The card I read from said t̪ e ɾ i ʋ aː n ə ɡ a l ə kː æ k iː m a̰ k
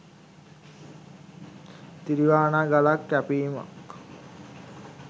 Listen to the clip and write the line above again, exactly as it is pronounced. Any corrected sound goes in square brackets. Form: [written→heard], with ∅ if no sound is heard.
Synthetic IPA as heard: t̪ [e→i] ɾ i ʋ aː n [ə→a] ɡ a l [ə→a] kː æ [k→p] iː m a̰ k